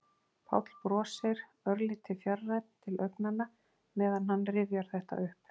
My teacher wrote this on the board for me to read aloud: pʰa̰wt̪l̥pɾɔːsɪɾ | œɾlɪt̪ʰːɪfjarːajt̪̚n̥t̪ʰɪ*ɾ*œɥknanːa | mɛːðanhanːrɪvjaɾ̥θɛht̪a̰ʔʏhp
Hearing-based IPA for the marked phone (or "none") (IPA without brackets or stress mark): l